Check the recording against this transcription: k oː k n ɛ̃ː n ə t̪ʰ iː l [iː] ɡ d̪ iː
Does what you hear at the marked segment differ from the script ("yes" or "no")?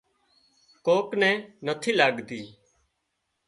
yes